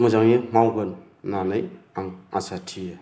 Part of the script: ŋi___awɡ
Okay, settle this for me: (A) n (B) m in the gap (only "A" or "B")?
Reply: B